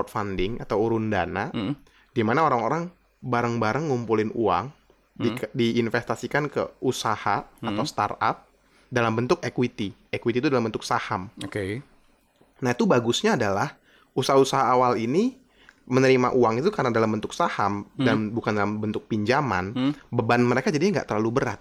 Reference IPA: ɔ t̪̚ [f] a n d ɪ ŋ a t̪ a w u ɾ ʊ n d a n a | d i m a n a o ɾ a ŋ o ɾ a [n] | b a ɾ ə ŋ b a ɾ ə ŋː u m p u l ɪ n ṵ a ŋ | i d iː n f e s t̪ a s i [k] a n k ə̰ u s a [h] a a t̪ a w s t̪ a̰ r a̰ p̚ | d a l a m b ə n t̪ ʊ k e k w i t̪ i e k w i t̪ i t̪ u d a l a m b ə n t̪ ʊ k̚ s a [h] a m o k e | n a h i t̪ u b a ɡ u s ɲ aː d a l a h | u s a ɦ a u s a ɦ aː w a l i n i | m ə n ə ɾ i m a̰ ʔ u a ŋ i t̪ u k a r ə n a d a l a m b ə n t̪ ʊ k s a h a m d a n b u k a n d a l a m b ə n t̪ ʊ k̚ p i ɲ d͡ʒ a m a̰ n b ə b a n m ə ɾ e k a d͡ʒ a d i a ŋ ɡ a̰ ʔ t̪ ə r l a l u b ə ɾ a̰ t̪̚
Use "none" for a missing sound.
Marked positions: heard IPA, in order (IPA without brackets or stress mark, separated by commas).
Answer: f, ŋ, k, h, h